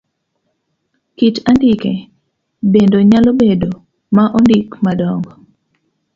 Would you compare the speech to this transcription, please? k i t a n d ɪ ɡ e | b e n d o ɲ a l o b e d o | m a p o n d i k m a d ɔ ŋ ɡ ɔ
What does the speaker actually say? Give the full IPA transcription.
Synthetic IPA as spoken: k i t a n d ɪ k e | b e n d o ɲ a l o b e d o | m a ʔ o n d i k m a d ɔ ŋ ɡ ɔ